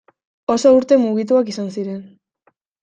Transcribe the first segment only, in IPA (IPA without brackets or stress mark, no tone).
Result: o̞